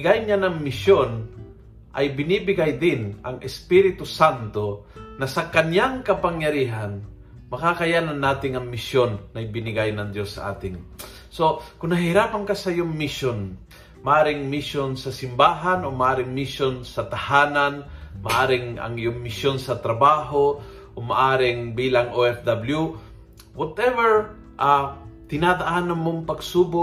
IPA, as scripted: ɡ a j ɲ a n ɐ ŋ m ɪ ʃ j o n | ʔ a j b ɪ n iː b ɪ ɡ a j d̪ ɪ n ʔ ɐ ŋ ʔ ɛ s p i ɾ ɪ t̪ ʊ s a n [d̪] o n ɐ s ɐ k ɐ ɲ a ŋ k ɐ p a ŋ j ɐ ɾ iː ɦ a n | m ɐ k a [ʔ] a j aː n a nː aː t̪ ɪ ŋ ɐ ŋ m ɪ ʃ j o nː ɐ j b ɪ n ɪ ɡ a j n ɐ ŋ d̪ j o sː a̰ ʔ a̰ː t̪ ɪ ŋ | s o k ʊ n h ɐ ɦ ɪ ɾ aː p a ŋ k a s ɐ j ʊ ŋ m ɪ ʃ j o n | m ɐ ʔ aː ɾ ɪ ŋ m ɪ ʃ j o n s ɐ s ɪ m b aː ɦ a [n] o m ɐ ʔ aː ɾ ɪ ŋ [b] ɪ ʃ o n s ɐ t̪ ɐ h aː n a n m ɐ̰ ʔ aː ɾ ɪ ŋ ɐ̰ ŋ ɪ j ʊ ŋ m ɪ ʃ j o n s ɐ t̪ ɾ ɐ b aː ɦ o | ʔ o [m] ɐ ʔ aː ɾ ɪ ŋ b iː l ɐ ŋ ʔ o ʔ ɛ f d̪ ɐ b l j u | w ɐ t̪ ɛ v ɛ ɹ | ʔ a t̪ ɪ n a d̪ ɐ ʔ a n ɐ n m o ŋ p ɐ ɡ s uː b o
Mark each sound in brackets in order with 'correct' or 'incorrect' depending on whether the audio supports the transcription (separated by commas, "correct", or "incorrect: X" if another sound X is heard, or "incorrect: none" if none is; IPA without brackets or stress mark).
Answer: incorrect: t̪, incorrect: k, correct, incorrect: m, correct